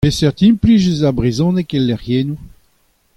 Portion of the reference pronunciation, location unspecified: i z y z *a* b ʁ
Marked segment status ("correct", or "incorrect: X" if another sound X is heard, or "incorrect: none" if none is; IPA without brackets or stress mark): correct